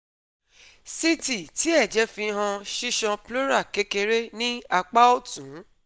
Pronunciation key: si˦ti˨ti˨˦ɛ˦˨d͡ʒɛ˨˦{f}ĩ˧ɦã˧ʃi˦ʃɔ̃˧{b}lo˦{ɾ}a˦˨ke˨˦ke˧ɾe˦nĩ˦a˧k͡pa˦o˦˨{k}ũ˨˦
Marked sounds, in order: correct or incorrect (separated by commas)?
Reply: correct, incorrect, correct, incorrect